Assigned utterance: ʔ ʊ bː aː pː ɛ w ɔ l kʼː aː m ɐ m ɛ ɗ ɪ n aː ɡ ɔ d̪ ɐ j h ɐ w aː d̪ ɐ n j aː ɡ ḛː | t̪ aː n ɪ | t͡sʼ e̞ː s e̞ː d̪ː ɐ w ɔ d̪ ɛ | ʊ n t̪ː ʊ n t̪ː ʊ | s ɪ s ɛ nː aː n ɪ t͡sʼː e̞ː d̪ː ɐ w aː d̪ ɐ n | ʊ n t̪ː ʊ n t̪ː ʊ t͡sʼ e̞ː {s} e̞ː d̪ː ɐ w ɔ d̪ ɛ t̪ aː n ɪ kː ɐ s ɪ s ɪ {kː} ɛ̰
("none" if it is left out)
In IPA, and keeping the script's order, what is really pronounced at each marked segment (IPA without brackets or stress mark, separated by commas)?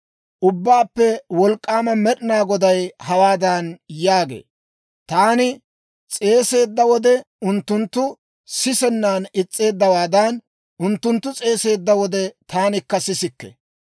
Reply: s, kː